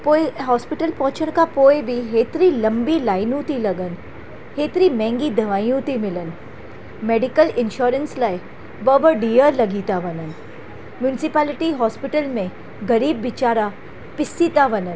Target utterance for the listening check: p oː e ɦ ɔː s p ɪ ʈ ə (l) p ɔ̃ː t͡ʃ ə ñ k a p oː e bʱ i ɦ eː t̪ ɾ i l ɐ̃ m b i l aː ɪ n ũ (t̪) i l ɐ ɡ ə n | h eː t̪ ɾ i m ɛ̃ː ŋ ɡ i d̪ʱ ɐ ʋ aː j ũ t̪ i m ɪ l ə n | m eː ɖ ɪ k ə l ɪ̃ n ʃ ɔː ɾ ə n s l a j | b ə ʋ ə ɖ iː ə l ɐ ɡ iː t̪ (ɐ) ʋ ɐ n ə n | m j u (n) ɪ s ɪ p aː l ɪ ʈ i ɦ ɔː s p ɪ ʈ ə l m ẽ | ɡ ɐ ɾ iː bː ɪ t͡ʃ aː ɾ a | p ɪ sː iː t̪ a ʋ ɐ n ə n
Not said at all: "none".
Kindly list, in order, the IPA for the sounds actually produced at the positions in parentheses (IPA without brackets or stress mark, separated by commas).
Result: l, t̪, a, n